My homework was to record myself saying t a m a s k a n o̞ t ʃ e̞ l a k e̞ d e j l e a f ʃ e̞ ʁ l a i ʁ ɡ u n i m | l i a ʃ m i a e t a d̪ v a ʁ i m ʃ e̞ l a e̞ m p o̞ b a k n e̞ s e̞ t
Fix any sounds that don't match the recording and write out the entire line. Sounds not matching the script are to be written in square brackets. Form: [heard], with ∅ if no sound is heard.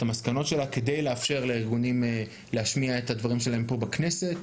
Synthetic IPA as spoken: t a m a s k a n o̞ t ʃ e̞ l a k e̞ d e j l e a f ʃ e̞ ʁ l [e] i ʁ ɡ u n i m | l [e] a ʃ m i a e t a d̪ v a ʁ i m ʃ e̞ l a e̞ m p o̞ b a k n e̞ s e̞ t

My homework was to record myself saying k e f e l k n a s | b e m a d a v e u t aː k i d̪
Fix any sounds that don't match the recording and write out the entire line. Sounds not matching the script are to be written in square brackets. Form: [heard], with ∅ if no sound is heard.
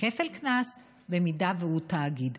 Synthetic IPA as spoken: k e f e l k n a s | b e m [i] d a v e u t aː [ɡ] i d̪

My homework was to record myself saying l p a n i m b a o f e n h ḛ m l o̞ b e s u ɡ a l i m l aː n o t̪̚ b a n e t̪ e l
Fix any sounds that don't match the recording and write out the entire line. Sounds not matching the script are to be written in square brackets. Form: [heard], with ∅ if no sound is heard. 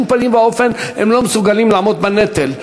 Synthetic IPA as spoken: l p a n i m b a o f e n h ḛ m l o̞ [m] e s u ɡ a l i m l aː [m] o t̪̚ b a n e t̪ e l

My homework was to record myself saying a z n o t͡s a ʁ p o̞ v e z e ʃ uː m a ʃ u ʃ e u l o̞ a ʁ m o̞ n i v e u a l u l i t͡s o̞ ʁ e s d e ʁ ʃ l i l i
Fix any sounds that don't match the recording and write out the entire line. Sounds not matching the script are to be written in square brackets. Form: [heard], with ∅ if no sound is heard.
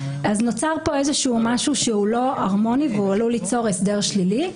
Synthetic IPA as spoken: a z n o t͡s a ʁ p o̞ [∅] e z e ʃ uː m a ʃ u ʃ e u l o̞ a ʁ m o̞ n i v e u a l u l i t͡s o̞ ʁ e s d e ʁ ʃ l i l i

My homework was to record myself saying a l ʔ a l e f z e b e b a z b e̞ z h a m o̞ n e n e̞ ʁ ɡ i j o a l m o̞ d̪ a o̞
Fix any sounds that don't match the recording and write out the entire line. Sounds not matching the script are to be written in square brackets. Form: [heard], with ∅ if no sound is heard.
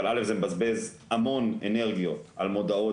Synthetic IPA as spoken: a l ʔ a l e f z e [m] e b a z b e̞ z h a m o̞ n e n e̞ ʁ ɡ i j o a l m o̞ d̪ a o̞

